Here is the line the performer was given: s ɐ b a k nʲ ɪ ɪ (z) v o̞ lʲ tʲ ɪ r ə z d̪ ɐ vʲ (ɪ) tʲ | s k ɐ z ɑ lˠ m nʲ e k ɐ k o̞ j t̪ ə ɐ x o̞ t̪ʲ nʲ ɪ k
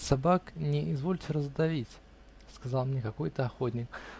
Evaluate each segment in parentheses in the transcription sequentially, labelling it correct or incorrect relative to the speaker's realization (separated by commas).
correct, incorrect